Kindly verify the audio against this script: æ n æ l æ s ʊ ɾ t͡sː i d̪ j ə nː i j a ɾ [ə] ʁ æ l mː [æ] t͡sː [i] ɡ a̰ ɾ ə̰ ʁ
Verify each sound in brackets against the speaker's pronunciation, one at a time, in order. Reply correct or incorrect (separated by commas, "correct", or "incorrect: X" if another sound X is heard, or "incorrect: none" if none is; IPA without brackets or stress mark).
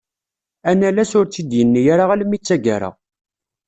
incorrect: a, incorrect: i, incorrect: æ